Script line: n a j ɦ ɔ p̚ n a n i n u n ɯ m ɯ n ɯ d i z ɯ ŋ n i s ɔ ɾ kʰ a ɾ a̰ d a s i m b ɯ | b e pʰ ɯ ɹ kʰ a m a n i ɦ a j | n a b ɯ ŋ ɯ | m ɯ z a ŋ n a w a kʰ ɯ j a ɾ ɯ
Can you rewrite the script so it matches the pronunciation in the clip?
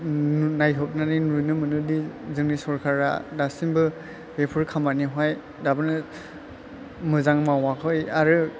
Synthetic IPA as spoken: n a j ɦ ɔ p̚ n a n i n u n ɯ m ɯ n ɯ d i z ɯ ŋ n i s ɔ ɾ kʰ a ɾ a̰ d a s i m b ɯ | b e pʰ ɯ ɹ kʰ a m a n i ɦ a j | d a b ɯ n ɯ | m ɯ z a ŋ m a w a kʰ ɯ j a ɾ ɯ